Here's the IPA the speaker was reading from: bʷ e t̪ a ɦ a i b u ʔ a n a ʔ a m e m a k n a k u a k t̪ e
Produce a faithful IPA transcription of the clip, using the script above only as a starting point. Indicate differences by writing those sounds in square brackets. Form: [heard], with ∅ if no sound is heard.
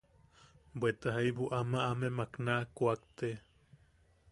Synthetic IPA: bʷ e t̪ a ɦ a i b u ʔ a [m] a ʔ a m e m a k n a k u a k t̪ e